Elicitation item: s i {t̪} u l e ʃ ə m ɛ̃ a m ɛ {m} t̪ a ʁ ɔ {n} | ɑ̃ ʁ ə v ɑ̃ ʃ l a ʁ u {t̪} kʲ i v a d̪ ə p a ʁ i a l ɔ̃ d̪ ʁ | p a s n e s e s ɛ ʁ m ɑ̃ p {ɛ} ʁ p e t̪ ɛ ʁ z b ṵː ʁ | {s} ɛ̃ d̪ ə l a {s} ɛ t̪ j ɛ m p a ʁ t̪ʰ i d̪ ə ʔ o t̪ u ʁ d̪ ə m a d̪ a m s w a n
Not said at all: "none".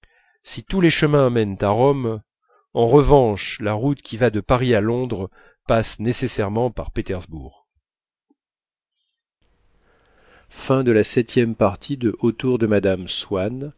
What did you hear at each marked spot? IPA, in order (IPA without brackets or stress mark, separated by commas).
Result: t̪, n, m, t̪, a, f, s